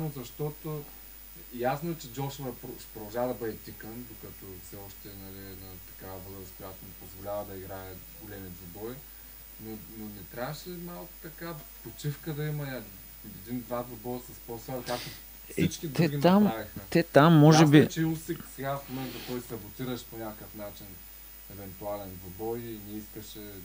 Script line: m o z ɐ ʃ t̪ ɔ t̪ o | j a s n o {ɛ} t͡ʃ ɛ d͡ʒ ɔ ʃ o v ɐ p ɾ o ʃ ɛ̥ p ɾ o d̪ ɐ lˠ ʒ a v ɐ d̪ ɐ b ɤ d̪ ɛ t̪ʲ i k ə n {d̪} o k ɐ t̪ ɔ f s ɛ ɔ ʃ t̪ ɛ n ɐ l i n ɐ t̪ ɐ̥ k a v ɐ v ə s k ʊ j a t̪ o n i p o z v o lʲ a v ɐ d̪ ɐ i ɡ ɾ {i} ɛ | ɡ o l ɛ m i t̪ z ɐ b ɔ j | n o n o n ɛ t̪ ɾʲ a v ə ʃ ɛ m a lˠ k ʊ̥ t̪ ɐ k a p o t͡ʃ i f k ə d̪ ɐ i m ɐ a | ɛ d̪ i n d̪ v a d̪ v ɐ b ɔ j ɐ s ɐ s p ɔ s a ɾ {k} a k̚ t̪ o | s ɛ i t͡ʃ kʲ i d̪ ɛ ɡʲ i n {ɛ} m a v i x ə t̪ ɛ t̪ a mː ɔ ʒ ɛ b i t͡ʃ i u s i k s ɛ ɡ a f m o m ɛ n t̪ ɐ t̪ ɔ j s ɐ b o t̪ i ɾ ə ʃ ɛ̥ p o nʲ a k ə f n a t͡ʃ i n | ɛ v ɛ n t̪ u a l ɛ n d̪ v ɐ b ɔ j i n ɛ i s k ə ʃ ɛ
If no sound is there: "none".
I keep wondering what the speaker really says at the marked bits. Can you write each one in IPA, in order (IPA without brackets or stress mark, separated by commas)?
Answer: ɛ, d̪, a, k, a